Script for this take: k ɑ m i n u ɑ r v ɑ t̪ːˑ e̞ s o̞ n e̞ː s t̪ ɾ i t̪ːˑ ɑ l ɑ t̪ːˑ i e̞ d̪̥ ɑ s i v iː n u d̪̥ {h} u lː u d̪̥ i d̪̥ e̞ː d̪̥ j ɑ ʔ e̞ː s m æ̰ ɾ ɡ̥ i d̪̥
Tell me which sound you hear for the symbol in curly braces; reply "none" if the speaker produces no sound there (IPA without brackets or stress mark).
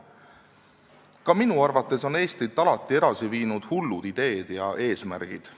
h